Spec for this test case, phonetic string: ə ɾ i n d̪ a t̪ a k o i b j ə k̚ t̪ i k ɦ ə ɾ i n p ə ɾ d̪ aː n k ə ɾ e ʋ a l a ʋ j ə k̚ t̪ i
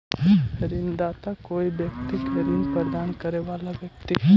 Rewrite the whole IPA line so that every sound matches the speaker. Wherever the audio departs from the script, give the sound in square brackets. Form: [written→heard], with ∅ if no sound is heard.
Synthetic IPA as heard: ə ɾ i n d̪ a t̪ a k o i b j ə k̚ t̪ i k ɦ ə ɾ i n p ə ɾ d̪ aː n k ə ɾ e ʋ a l a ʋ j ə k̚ t̪ i